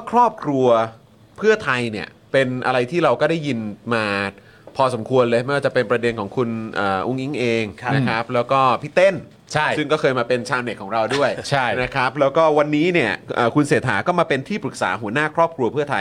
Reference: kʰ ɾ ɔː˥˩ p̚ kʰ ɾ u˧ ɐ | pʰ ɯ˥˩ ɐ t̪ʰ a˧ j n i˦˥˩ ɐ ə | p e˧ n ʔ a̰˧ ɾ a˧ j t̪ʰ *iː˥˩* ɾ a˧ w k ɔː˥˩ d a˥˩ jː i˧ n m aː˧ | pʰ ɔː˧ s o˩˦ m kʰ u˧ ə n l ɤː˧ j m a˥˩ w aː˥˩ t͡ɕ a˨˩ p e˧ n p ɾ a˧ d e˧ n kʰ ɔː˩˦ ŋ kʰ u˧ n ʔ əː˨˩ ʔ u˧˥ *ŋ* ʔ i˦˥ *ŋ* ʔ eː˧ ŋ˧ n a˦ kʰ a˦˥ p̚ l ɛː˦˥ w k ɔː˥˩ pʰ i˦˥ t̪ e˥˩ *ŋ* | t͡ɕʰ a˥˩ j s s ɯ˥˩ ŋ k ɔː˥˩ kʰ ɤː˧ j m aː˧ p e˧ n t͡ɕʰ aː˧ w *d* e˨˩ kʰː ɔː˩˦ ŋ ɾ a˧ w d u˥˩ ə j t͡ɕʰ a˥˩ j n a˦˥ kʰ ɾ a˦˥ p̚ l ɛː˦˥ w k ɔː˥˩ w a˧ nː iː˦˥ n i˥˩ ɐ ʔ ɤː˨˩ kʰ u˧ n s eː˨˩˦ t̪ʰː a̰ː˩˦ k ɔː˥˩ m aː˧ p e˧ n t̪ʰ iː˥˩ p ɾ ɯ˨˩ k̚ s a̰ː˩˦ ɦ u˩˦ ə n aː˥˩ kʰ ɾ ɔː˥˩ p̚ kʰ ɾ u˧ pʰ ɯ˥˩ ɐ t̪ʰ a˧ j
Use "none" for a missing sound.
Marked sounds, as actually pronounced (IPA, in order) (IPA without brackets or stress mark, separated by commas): iː˥˩, ŋ, ŋ, n, n